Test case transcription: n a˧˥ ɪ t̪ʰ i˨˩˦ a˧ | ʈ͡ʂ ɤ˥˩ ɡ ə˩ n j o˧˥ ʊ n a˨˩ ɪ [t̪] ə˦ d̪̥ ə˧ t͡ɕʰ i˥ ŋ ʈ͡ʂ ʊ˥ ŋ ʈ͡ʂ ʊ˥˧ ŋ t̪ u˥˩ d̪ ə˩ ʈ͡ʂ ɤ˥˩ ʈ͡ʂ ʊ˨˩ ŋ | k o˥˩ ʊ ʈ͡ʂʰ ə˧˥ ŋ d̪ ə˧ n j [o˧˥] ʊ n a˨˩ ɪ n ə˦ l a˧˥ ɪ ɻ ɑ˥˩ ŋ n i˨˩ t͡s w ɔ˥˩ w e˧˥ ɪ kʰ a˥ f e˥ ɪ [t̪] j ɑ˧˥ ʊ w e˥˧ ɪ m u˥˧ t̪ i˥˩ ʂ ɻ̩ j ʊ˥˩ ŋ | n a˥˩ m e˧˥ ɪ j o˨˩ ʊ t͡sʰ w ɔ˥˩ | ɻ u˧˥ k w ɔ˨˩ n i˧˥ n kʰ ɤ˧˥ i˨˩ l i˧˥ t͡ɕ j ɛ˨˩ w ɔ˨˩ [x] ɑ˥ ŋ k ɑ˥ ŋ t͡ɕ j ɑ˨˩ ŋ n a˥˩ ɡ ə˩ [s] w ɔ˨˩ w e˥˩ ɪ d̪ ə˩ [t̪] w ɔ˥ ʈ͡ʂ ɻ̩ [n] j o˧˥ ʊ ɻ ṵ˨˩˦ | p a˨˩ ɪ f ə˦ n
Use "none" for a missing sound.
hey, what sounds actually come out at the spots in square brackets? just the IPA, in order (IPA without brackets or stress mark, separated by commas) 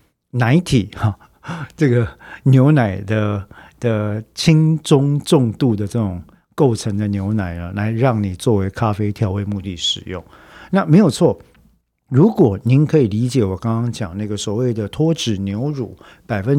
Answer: d̪, o˧˥, t̪ʰ, k, s, t̪ʰ, n